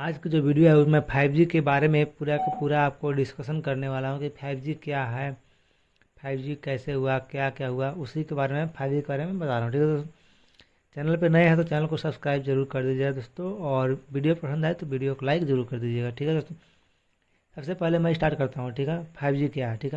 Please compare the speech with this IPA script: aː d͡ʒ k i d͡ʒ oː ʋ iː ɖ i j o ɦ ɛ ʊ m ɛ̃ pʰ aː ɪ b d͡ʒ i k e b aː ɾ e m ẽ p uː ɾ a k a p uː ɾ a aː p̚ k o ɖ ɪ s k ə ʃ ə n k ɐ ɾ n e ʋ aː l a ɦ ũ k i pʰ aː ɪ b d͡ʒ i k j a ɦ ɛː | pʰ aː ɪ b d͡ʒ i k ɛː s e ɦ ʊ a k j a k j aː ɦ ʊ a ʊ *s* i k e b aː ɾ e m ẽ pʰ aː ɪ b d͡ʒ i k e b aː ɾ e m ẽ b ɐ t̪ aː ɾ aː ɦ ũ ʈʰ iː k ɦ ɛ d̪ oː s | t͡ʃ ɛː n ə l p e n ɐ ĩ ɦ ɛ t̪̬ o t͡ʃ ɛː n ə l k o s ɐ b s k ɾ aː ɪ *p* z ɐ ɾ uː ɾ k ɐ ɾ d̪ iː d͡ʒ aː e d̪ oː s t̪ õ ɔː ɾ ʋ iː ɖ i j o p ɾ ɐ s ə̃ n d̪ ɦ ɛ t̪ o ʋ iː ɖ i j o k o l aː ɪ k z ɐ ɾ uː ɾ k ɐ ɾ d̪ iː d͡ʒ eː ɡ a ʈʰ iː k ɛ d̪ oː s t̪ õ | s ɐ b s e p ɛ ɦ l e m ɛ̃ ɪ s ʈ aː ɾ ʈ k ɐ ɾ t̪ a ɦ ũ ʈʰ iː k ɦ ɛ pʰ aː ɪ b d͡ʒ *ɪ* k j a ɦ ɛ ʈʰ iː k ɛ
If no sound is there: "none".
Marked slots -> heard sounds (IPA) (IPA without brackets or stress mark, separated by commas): s, b, i